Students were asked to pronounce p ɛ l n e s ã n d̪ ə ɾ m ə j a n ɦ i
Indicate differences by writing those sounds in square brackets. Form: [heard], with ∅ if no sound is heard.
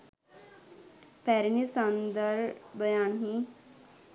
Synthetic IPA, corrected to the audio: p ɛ [ɾ] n [i] s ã n d̪ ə ɾ [b] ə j a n ɦ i